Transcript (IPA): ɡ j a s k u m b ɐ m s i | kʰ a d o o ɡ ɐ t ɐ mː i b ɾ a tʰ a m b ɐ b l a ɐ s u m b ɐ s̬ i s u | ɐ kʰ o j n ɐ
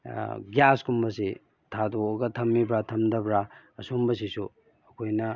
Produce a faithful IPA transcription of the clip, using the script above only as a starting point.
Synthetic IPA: ɡ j a s k u m b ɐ s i | tʰ a d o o ɡ ɐ tʰ ɐ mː i b ɾ a tʰ ɐ m d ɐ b ɾ a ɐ s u m b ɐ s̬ i s u | ɐ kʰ o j n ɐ